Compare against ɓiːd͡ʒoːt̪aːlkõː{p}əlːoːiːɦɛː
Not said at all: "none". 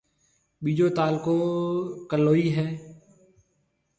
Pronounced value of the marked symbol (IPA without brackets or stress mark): k